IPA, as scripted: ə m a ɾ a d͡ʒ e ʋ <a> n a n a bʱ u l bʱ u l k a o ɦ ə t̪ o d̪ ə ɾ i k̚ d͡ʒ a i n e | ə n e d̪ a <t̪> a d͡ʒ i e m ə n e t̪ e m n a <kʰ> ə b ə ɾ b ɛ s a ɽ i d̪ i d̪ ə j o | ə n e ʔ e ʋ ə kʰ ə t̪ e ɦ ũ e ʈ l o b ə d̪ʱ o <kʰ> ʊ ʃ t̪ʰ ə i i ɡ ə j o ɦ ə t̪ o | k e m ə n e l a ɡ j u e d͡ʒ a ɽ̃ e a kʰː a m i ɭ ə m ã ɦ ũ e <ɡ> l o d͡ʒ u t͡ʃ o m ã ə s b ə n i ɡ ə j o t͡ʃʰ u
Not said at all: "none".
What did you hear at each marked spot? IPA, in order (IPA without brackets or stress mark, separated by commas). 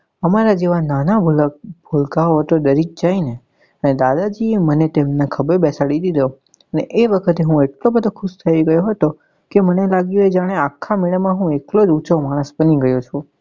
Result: a, d̪, kʰ, kʰ, k